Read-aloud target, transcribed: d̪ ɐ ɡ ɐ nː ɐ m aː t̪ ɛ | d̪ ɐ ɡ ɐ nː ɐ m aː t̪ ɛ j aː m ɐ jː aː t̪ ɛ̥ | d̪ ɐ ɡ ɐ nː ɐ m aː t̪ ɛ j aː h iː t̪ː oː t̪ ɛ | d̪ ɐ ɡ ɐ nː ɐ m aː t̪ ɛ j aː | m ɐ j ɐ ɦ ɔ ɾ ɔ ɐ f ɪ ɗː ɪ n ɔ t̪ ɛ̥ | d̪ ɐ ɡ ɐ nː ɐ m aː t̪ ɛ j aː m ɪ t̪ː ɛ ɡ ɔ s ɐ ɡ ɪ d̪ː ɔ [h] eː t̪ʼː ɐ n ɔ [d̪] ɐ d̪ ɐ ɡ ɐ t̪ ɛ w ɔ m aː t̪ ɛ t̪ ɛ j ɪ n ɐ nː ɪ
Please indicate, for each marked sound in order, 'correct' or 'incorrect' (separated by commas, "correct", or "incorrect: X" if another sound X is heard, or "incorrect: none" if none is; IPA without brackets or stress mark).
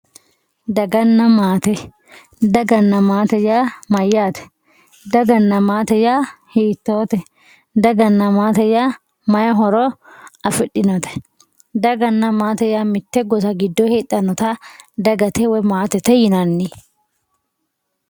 correct, incorrect: t̪